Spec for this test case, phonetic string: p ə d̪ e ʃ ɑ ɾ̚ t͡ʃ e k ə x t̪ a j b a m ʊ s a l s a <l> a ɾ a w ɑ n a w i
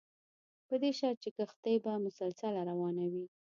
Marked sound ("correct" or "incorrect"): correct